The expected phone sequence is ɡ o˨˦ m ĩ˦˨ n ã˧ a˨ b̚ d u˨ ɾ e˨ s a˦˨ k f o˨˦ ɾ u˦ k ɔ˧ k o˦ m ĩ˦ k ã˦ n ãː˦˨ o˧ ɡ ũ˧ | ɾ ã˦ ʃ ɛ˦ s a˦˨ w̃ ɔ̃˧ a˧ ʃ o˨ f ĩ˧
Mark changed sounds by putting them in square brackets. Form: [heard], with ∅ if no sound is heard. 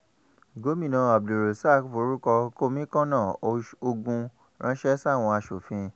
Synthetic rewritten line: ɡ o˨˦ m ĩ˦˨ n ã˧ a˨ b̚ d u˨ ɾ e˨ s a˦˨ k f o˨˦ ɾ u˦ k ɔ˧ k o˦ m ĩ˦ k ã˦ n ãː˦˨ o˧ ɡ ũ˧ | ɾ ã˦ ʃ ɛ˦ s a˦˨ w̃ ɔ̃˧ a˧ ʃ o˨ f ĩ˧